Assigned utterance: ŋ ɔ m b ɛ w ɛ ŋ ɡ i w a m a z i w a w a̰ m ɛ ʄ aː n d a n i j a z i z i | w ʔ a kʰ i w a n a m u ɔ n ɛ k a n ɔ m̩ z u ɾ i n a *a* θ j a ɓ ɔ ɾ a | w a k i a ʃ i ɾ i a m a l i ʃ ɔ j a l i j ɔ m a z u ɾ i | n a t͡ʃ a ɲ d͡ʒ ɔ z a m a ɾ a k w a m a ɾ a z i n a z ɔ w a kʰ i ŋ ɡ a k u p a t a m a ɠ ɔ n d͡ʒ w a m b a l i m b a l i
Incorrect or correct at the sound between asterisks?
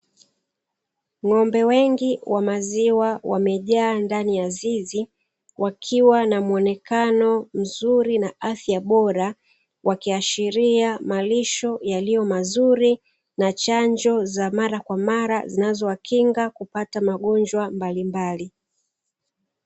correct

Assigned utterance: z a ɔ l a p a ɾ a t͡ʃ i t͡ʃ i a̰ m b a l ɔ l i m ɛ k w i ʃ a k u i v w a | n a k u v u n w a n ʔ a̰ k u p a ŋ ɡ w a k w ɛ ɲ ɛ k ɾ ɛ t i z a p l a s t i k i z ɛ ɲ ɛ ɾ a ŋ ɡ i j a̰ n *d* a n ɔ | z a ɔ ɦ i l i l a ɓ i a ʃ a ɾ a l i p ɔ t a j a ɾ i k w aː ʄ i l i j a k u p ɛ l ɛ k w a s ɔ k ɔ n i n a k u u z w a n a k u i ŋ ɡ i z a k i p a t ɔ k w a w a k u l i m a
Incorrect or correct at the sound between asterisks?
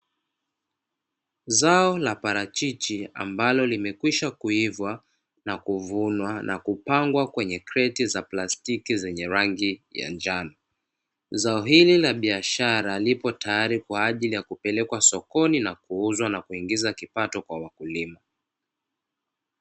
incorrect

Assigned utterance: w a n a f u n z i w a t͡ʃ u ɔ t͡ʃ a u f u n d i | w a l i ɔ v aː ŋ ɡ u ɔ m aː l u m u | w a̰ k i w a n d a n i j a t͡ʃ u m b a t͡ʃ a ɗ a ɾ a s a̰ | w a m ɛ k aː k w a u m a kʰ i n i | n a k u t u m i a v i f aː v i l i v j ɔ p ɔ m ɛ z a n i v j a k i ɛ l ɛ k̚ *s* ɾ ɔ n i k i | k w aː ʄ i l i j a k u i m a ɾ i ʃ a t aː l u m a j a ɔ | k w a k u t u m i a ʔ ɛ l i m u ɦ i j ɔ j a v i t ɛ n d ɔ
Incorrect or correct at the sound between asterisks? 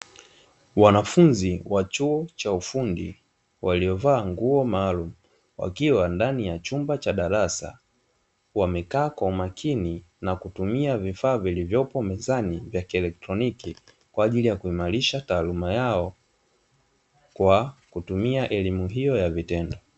incorrect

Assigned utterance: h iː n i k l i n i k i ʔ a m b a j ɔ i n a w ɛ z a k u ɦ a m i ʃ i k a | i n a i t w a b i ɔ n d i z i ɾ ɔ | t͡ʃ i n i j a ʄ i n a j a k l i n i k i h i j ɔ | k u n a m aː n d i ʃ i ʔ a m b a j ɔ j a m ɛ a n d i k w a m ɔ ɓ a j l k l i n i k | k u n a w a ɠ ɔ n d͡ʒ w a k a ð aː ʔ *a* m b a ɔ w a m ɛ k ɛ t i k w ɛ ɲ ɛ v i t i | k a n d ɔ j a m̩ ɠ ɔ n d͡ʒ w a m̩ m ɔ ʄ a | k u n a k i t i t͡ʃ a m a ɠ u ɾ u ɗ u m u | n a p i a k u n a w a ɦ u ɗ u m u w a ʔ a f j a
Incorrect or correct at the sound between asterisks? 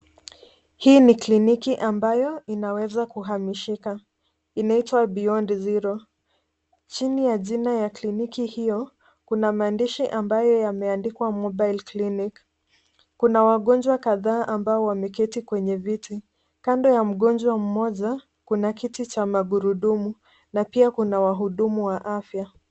correct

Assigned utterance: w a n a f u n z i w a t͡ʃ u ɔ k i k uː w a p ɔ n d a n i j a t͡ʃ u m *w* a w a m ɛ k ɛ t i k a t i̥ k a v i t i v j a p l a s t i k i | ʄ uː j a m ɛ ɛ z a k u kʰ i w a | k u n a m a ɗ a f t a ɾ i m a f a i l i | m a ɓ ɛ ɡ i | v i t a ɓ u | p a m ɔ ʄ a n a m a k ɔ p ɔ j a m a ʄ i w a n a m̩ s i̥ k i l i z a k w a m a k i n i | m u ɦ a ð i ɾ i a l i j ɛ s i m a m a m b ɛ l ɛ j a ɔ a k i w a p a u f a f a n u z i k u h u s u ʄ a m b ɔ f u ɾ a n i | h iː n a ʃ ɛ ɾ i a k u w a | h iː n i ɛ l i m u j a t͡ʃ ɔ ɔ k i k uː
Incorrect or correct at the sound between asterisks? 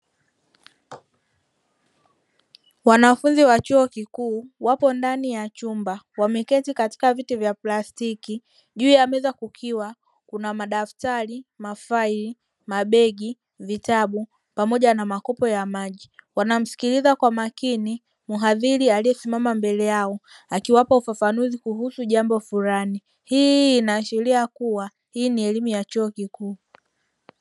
incorrect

